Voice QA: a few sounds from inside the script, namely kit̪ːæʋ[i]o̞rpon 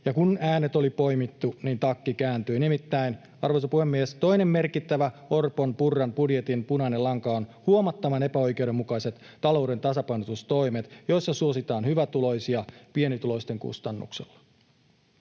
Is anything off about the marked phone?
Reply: yes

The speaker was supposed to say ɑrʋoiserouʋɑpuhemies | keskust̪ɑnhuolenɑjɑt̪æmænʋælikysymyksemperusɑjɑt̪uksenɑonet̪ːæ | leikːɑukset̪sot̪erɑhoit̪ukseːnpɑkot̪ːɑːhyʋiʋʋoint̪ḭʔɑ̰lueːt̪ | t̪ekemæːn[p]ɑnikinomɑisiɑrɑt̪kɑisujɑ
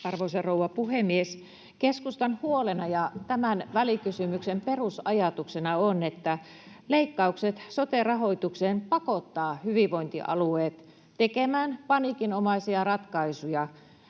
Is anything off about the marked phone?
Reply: no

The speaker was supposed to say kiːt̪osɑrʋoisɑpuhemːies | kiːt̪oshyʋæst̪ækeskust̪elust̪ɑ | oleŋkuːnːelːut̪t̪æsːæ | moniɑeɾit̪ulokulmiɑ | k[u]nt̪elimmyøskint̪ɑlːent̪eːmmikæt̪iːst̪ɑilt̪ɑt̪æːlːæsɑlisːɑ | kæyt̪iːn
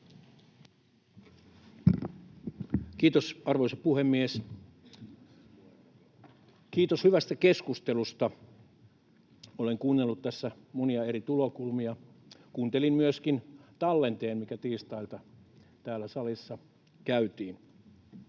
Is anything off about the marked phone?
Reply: yes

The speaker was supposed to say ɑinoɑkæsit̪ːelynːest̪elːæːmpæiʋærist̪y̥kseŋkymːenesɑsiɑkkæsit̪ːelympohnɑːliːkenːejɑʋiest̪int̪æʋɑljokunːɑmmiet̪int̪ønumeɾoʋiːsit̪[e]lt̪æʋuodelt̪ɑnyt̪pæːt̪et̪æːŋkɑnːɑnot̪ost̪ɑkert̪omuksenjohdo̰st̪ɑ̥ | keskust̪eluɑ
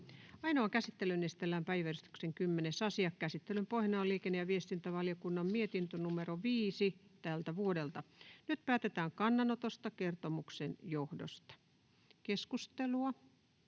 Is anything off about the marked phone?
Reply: yes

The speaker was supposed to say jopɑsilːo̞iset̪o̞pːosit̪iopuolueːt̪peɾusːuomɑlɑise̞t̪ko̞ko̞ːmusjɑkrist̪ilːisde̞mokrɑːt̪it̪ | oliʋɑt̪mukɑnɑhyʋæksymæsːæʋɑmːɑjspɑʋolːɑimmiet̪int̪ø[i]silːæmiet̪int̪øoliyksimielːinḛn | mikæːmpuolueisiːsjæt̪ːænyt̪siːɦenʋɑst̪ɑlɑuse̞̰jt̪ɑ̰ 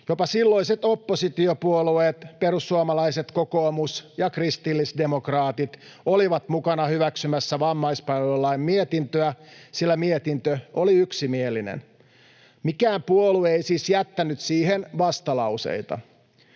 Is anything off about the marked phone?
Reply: yes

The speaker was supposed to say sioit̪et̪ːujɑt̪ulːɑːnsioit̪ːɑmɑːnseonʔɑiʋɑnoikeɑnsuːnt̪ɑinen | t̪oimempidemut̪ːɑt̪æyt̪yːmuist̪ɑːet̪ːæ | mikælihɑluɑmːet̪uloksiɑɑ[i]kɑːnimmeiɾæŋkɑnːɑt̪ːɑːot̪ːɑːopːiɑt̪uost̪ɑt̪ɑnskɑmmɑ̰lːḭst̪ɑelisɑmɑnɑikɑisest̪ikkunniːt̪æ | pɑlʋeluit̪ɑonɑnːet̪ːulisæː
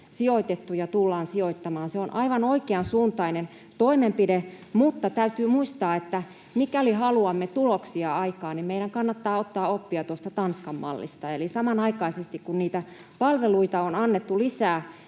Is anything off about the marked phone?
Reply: no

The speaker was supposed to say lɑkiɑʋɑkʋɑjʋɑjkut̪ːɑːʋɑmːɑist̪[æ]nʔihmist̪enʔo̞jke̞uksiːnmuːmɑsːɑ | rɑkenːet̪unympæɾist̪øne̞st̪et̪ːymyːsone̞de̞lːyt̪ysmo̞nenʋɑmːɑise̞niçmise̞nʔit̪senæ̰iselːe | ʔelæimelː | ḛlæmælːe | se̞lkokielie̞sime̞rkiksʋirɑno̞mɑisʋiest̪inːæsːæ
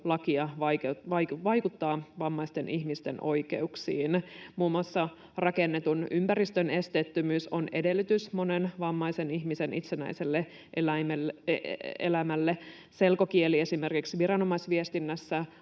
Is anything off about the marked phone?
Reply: yes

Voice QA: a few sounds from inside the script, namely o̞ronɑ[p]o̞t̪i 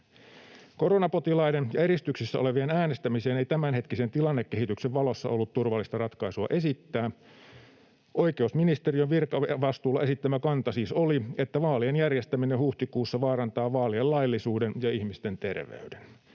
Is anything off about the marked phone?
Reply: no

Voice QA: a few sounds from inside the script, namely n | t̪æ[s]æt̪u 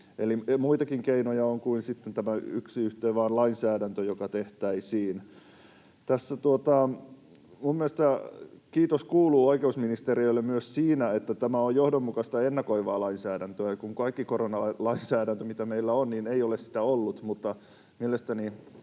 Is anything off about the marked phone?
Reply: yes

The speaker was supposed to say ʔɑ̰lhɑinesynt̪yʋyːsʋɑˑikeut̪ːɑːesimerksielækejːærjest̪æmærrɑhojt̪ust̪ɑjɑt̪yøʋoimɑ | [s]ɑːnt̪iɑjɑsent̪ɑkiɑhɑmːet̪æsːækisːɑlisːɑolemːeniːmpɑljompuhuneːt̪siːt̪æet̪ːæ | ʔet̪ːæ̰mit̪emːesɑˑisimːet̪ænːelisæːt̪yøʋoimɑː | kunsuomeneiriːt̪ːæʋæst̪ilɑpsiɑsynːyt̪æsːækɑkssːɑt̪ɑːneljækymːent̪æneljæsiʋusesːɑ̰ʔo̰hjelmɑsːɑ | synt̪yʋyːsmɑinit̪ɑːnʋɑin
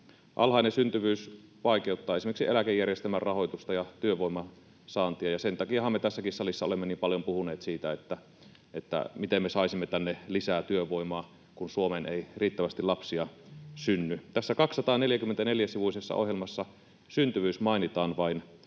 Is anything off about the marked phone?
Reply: no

